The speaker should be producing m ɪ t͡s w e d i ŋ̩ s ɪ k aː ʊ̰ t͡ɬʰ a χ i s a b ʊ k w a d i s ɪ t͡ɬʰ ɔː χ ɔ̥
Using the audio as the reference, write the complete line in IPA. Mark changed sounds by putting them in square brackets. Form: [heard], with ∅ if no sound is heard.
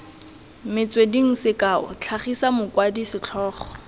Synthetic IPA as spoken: m ɪ t͡s w e d i ŋ̩ s ɪ k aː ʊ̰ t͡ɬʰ a χ i s a [m] ʊ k w a d i s ɪ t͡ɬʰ ɔː χ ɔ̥